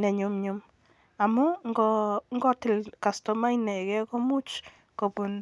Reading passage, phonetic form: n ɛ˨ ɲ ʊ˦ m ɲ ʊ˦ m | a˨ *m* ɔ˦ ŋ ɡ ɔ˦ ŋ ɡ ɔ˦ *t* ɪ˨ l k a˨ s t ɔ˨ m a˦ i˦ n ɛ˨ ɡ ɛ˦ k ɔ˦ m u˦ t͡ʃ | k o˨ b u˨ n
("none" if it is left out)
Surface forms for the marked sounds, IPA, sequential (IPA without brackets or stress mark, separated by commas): m, t